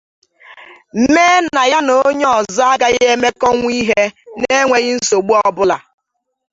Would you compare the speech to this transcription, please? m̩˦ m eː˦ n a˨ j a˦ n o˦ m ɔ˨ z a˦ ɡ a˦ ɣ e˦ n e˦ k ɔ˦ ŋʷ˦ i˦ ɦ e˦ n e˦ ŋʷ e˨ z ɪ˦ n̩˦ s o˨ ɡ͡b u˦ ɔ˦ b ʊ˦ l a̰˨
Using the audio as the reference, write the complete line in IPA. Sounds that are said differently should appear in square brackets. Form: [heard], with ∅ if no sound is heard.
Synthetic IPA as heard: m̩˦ m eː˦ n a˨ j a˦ n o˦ [ɲ] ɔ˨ z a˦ ɡ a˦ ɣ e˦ [m] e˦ k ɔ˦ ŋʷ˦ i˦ ɦ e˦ n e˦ ŋʷ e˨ [ɣ] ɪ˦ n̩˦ s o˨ ɡ͡b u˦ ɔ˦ b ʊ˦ l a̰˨